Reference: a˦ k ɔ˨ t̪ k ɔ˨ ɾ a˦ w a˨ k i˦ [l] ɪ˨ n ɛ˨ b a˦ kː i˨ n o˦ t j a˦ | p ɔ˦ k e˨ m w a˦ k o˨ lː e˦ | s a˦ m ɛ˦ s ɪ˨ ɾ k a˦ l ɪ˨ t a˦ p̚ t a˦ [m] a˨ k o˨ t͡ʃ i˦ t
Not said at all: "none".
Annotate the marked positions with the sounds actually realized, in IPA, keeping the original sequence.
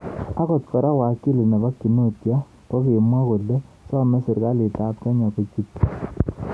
l, ɲ

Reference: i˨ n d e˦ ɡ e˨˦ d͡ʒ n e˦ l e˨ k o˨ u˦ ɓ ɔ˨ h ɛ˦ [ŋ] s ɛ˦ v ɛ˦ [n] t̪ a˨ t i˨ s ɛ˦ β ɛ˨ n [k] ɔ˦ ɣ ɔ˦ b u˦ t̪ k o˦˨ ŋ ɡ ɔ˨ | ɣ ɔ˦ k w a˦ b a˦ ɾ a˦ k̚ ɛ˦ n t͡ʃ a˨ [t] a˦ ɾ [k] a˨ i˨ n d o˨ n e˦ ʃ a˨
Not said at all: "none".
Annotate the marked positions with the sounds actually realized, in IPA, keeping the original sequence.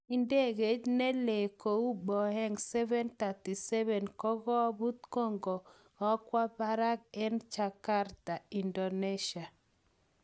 ŋ, n, k, k, t

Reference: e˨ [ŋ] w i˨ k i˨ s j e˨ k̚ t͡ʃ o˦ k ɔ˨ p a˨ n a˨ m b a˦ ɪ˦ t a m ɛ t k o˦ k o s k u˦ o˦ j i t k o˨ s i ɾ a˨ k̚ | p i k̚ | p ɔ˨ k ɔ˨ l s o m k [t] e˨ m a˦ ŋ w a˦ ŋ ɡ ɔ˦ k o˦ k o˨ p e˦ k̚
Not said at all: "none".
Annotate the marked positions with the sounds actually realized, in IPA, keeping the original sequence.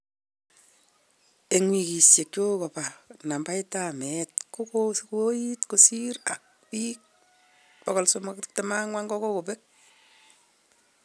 ŋ, t

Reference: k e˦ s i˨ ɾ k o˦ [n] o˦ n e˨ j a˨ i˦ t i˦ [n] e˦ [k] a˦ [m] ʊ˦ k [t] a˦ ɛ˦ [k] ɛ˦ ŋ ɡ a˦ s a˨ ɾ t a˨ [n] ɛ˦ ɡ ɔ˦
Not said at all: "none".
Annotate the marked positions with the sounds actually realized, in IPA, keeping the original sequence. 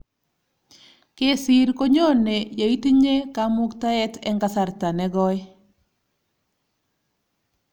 ɲ, ɲ, k, m, t, t, n

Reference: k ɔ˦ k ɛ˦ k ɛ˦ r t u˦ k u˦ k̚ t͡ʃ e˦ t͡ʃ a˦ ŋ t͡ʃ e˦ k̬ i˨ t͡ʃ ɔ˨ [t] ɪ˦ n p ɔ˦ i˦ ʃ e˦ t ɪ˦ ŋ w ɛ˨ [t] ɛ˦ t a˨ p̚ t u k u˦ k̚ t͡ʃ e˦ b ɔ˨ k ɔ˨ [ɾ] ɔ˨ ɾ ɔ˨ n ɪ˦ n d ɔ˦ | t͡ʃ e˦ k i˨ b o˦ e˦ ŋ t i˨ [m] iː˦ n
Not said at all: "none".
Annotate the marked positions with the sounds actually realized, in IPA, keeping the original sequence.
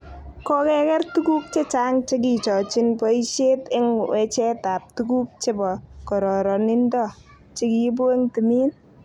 t͡ʃ, t͡ʃ, ɾ, m

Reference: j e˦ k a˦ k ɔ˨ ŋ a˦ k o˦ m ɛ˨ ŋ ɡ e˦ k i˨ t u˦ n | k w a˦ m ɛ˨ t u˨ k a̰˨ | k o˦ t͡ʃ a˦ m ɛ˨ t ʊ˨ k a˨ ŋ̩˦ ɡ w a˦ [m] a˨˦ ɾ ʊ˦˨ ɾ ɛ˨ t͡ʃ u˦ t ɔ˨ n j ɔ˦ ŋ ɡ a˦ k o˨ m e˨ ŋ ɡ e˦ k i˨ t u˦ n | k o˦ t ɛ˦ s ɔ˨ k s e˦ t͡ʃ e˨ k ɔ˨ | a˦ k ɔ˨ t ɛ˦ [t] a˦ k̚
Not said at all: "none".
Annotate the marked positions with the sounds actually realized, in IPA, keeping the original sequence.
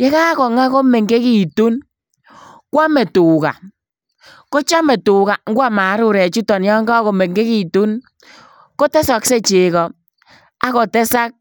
m, s

